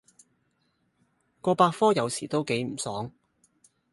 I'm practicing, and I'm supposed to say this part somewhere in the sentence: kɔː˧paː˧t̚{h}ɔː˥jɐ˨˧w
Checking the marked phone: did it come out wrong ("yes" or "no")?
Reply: yes